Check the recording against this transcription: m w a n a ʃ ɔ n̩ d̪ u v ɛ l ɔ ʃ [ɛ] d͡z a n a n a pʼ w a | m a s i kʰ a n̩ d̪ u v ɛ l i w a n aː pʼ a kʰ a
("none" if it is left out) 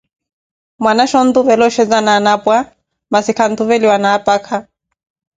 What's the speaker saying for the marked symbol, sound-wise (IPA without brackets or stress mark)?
ɛ